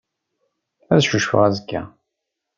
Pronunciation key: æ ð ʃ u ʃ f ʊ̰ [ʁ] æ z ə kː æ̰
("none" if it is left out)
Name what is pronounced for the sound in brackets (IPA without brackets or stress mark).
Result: ʁ